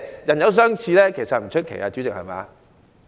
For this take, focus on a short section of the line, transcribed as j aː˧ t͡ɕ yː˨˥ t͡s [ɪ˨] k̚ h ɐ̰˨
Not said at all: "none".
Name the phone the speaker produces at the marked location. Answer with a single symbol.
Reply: ɪ˨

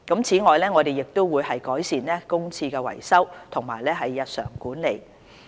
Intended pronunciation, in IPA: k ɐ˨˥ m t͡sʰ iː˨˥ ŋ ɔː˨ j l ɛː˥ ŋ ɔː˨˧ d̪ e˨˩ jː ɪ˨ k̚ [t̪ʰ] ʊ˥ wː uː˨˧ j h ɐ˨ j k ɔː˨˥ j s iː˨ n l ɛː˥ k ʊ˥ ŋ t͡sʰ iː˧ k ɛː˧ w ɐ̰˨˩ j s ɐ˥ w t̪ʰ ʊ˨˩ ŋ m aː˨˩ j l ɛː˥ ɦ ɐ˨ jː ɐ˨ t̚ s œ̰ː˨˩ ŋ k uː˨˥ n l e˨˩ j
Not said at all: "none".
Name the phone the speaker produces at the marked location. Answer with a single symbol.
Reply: t̪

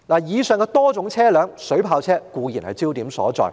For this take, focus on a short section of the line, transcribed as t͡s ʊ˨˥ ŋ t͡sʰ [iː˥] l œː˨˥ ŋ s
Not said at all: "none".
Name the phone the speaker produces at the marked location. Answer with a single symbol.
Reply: ɛː˥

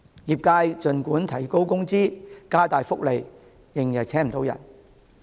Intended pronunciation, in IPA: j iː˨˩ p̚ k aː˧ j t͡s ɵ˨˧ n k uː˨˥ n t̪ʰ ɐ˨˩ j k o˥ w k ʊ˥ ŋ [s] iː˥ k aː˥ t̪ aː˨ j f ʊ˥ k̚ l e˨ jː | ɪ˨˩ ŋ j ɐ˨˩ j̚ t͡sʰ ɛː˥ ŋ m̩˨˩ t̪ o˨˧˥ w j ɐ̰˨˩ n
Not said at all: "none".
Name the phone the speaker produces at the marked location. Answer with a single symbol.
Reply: t͡s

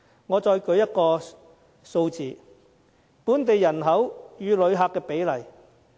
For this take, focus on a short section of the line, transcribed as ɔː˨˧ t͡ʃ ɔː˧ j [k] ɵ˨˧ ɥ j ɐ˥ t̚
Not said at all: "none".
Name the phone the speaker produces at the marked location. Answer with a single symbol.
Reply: k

